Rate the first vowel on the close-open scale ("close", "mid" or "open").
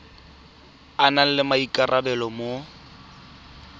open